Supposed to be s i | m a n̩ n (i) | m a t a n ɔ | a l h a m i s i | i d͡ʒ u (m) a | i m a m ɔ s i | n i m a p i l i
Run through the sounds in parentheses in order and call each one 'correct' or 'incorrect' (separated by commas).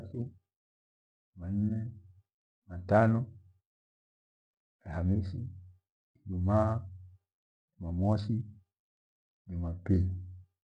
incorrect, correct